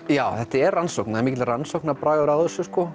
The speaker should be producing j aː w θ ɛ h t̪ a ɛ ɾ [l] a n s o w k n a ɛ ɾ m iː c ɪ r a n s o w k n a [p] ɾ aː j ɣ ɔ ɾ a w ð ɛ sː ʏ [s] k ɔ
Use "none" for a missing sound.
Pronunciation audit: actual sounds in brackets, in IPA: r, p, s

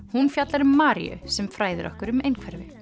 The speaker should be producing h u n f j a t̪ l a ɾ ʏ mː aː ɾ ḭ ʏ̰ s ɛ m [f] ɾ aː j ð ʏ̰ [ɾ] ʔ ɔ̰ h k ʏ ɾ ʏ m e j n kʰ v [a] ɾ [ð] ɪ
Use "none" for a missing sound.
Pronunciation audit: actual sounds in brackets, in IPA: f, ɾ, ɛ, v

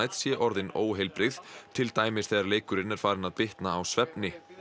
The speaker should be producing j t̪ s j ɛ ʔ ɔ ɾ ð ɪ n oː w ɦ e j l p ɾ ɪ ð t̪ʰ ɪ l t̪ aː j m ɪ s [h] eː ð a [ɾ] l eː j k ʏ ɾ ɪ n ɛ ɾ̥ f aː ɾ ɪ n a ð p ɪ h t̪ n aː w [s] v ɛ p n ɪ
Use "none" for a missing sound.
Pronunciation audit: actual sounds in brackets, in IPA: θ, ɾ, s

